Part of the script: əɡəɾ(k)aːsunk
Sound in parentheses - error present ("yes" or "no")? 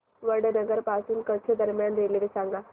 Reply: yes